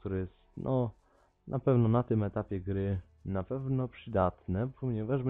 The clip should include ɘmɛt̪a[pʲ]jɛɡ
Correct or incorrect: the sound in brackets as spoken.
correct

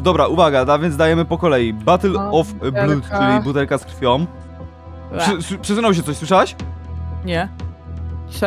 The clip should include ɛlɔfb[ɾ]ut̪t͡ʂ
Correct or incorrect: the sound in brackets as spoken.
incorrect: l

